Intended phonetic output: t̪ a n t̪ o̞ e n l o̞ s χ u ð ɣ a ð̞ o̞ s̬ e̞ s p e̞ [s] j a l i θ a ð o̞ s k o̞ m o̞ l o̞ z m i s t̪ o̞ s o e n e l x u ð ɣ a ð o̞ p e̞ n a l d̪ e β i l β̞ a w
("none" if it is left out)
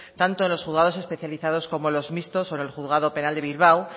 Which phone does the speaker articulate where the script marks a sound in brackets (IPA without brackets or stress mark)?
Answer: θ